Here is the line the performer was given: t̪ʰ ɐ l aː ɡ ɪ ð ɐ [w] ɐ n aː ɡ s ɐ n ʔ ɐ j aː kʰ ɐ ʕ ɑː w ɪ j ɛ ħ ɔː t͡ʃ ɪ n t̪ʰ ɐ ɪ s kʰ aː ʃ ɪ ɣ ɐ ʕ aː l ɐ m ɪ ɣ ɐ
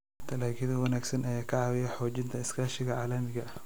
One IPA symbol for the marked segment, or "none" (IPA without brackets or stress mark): w